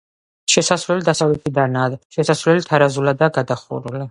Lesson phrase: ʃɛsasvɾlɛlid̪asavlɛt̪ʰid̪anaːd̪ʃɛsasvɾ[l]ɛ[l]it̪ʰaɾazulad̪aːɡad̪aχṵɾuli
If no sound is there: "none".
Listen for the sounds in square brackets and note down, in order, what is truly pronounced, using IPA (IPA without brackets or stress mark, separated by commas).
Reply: l, l